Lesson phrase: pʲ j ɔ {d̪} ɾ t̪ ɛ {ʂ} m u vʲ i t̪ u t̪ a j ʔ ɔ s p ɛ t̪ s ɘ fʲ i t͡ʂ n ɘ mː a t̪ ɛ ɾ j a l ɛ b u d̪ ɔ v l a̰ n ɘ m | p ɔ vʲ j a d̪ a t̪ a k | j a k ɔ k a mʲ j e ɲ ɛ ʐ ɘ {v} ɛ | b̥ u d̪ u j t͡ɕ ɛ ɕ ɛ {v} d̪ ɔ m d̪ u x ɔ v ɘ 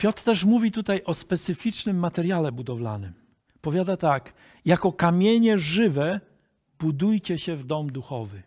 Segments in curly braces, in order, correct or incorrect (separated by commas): incorrect, correct, correct, correct